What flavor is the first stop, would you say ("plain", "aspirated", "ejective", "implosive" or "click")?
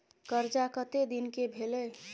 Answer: plain